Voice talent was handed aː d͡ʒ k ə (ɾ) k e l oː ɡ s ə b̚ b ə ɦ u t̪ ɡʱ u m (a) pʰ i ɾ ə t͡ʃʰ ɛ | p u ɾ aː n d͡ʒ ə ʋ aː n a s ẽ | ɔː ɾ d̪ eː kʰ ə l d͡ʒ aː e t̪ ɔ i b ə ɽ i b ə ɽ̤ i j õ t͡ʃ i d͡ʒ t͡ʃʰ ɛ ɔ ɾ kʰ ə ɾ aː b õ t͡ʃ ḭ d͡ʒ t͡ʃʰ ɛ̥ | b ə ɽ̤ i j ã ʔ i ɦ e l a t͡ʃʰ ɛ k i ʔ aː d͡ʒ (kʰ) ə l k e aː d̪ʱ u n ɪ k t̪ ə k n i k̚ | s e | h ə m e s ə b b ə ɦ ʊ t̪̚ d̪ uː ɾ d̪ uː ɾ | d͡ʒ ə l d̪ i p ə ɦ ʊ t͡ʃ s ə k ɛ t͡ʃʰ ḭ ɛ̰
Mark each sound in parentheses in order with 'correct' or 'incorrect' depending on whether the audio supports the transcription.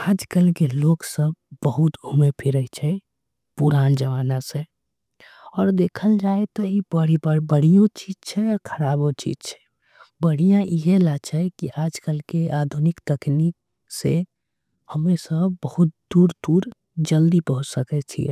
incorrect: l, incorrect: e, incorrect: k

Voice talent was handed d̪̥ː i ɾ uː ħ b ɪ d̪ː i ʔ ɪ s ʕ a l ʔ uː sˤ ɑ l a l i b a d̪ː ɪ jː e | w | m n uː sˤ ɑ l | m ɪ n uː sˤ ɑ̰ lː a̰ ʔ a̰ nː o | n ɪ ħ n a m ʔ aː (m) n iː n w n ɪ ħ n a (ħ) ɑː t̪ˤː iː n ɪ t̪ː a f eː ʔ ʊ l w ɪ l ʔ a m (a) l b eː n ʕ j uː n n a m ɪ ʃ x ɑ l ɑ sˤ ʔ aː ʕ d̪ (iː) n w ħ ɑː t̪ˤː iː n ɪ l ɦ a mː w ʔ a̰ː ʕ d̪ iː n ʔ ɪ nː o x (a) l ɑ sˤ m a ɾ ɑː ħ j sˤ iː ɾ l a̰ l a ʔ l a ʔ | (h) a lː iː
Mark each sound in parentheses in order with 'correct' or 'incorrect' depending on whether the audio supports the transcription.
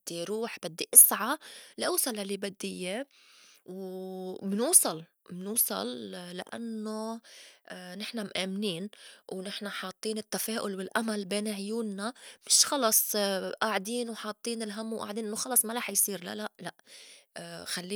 correct, correct, correct, correct, incorrect: ɑ, incorrect: x

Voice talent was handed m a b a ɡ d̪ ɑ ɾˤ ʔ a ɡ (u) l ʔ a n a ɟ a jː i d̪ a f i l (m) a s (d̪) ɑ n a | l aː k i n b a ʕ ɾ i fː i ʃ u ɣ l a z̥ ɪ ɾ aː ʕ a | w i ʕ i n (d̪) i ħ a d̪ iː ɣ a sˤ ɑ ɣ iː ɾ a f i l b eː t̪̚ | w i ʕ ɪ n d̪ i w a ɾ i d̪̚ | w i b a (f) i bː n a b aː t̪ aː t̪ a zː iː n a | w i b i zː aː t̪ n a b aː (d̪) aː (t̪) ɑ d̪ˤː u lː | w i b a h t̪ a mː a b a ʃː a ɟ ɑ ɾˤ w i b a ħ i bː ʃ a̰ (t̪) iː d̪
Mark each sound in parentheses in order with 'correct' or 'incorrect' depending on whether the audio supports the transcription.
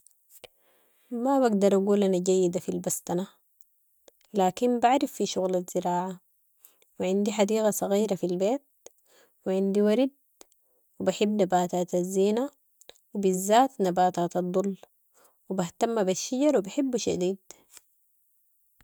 incorrect: uː, incorrect: b, incorrect: t̪, correct, incorrect: ħ, incorrect: t̪, correct, incorrect: d̪

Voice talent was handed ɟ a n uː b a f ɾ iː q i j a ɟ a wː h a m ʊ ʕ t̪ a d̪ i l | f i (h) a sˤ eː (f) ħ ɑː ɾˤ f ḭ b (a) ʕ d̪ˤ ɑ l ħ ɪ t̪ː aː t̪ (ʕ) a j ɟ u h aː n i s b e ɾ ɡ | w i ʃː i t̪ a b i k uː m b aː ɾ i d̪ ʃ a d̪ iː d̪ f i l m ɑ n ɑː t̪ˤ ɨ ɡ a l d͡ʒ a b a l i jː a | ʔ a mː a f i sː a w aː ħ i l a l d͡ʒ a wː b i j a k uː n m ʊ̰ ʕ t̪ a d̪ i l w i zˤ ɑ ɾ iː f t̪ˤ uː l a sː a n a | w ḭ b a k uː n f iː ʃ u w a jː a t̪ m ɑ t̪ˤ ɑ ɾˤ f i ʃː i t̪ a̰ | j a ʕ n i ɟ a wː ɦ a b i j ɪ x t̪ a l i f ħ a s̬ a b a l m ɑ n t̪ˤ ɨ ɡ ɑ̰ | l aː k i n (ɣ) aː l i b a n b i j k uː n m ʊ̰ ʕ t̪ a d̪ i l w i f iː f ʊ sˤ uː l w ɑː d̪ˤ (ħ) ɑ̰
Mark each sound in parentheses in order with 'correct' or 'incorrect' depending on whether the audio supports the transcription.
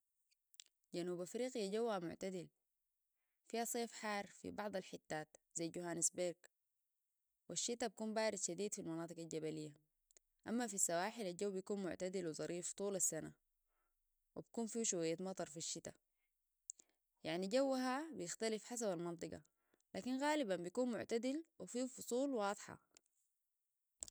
correct, correct, incorrect: ɑ, incorrect: z, correct, correct

